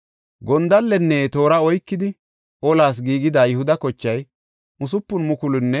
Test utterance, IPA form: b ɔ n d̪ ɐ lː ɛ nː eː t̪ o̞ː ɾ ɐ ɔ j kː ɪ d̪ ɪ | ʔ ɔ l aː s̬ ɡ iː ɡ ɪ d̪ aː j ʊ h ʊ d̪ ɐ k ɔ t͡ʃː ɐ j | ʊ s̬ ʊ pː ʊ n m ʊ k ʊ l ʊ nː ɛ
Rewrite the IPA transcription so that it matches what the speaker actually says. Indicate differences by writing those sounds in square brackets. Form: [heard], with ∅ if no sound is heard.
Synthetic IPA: [ɡ] ɔ n d̪ ɐ lː ɛ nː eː t̪ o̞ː ɾ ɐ ɔ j kː ɪ d̪ ɪ | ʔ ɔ l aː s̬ ɡ iː ɡ ɪ d̪ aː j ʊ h ʊ d̪ ɐ k ɔ t͡ʃː ɐ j | ʊ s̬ ʊ pː ʊ n m ʊ k ʊ l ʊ nː ɛ